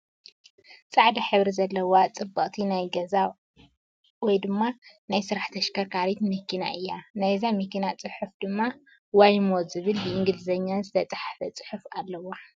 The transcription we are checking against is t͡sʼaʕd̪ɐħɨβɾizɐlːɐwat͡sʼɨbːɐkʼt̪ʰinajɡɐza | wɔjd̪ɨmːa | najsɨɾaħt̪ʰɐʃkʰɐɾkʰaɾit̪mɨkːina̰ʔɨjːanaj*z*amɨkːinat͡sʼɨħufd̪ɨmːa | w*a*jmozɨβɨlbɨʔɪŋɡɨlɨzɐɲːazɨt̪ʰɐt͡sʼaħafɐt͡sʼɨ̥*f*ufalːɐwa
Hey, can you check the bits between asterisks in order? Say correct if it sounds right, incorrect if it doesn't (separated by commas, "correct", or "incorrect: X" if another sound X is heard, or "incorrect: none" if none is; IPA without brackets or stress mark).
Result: correct, correct, incorrect: ħ